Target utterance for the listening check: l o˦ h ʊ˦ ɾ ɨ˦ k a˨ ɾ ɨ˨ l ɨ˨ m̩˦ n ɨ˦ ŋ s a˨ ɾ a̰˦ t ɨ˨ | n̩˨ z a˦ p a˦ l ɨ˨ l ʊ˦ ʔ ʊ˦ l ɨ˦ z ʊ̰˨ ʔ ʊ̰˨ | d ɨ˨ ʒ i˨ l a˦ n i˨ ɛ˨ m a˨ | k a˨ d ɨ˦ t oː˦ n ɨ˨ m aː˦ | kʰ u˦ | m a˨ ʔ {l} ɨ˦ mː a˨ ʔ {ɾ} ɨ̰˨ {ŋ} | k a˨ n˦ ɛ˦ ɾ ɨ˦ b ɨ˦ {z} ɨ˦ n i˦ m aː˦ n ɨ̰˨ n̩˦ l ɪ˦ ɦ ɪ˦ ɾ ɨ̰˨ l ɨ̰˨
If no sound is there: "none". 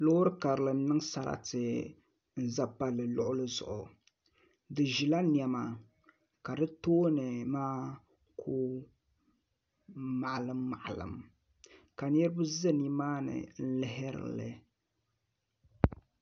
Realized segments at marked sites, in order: l, l, m, z

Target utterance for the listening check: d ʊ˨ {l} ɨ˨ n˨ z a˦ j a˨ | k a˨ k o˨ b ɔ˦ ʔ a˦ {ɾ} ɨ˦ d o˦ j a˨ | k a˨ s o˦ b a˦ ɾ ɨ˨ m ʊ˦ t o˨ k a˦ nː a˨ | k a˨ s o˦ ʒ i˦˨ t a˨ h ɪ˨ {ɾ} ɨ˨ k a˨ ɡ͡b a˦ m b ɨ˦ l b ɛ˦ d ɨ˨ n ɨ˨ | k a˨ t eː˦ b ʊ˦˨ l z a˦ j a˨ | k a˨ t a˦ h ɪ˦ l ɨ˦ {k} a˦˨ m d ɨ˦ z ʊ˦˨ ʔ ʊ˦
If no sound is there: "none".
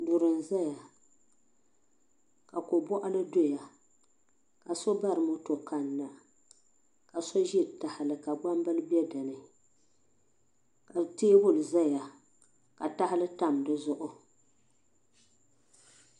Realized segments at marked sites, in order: ɾ, l, l, t

